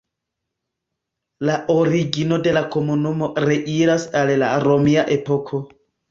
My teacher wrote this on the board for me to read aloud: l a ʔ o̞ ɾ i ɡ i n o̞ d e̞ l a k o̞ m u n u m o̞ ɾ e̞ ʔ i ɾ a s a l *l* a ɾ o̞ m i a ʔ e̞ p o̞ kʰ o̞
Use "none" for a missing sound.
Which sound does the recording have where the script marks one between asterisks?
l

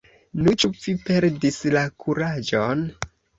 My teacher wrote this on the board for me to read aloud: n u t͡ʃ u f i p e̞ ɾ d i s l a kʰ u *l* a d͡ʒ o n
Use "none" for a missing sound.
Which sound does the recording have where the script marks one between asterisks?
ɾ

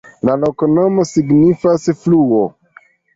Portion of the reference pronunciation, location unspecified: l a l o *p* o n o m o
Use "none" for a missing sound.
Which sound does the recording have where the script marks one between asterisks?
k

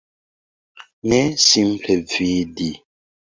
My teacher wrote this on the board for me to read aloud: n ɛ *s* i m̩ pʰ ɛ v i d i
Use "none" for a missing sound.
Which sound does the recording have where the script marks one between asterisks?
s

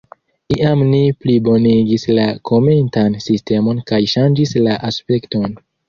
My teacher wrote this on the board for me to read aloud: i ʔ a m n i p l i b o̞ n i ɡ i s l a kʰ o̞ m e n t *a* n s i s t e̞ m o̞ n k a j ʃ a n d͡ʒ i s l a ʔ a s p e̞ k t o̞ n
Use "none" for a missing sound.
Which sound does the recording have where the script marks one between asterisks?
a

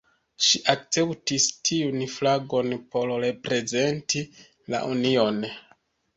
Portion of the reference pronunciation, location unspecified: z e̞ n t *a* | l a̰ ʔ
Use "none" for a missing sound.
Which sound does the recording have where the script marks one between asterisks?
i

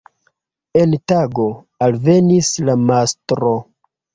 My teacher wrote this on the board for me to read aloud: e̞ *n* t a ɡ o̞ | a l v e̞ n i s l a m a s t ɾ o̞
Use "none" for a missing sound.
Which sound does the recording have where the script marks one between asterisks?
n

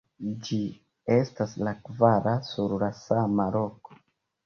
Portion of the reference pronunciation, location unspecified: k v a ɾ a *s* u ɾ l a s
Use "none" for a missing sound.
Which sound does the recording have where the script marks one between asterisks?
s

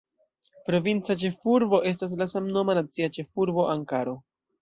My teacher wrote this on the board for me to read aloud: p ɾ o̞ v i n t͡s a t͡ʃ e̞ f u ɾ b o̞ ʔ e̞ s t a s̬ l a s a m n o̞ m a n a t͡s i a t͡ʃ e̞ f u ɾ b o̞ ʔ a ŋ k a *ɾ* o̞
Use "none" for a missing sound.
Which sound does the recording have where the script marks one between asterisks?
ɾ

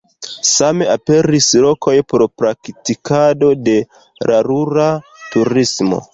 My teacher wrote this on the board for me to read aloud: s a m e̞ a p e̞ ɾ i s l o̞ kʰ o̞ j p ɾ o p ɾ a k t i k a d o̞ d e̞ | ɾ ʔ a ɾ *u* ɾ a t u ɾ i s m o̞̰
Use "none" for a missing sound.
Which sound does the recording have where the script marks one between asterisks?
u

